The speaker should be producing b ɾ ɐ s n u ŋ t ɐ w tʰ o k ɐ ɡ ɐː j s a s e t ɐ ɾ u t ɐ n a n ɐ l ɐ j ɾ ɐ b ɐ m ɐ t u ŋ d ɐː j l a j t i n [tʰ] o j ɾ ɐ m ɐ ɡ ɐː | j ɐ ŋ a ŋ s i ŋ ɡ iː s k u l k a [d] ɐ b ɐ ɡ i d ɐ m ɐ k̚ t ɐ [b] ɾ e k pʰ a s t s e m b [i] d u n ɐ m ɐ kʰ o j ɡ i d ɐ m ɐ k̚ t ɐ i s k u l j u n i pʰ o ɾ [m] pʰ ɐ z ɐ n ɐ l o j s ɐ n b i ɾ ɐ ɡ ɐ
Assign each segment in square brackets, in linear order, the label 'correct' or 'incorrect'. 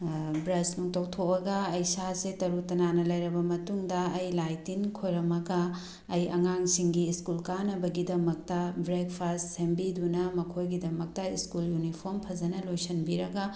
incorrect: kʰ, incorrect: n, correct, correct, correct

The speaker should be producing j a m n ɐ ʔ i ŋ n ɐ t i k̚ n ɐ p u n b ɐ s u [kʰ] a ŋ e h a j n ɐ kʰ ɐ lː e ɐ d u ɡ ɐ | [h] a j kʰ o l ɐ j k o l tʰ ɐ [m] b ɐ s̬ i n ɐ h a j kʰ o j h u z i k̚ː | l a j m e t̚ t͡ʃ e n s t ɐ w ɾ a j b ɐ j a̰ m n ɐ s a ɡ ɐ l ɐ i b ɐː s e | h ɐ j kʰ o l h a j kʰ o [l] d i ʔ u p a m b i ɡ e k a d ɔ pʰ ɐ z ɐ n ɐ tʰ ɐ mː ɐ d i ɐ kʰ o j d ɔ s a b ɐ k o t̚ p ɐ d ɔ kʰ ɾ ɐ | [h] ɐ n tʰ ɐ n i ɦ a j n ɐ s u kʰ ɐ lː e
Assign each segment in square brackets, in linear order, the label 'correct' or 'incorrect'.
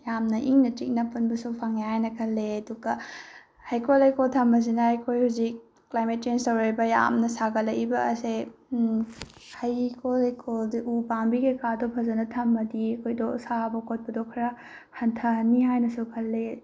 incorrect: pʰ, correct, correct, correct, correct

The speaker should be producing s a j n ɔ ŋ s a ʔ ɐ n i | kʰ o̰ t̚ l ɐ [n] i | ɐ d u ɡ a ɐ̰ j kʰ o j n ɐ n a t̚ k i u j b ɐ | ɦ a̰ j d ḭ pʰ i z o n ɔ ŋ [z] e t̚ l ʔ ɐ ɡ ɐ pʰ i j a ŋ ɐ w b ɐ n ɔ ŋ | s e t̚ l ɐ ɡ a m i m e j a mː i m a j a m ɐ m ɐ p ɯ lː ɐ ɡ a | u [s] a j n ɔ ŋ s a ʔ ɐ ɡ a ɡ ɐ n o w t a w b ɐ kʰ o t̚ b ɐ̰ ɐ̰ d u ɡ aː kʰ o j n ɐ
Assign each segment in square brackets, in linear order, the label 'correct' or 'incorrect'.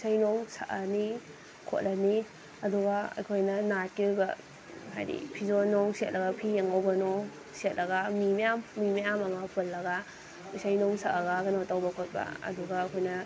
correct, incorrect: s, correct

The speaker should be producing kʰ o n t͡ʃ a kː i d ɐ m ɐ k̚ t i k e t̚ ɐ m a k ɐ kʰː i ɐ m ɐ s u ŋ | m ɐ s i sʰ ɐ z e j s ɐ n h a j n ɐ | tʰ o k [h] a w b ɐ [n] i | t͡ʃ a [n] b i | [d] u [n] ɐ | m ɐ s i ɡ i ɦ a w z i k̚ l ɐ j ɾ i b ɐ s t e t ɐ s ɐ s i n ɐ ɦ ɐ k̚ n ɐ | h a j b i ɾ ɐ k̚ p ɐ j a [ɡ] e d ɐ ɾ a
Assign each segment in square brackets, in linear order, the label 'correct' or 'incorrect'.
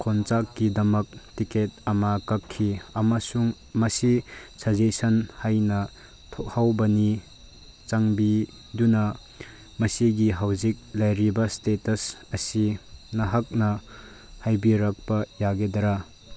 correct, correct, incorrect: ŋ, correct, correct, correct

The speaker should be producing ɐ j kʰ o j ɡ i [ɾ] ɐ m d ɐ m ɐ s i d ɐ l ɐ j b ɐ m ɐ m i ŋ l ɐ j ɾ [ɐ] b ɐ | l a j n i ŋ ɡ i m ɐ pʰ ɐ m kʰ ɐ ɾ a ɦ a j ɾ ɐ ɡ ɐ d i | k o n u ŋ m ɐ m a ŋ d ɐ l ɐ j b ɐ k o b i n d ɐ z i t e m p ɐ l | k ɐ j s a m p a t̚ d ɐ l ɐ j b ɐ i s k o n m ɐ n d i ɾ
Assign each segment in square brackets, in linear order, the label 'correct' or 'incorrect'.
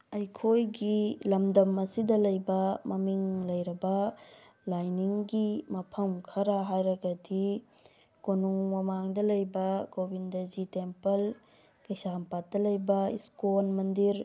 incorrect: l, correct

